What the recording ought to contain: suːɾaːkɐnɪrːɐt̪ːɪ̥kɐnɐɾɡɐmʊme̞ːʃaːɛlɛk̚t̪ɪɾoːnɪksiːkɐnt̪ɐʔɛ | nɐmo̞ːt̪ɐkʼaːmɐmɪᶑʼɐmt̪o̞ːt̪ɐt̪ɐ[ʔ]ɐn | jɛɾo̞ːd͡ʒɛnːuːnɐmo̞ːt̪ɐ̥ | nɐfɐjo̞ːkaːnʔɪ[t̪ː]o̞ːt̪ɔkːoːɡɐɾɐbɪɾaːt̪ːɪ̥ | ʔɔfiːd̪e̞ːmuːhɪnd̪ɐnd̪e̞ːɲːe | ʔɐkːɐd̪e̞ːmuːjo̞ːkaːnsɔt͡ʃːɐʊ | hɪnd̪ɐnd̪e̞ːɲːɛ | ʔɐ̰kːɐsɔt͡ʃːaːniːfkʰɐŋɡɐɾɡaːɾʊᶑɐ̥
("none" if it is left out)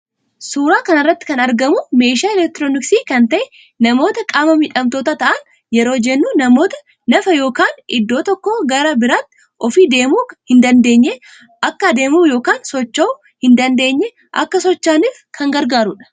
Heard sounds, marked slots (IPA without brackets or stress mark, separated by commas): ʔ, d̪ː